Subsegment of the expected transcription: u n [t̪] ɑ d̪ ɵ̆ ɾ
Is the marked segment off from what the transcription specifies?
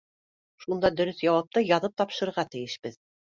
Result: yes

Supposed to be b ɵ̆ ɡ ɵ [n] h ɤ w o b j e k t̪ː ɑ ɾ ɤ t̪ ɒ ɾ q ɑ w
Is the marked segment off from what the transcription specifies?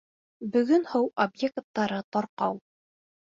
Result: no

